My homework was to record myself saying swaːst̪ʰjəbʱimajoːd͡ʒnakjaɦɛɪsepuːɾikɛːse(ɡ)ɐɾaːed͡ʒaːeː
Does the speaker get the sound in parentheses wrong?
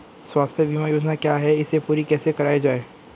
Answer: yes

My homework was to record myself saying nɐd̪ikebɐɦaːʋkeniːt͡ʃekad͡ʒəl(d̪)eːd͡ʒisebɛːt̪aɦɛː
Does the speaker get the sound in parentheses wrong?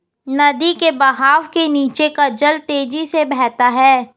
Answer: yes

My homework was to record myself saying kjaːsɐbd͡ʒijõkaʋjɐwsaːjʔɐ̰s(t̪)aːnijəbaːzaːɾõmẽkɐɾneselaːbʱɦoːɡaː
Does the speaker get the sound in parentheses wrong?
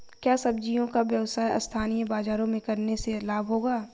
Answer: yes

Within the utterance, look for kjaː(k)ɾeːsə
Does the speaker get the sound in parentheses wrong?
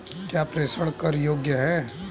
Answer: yes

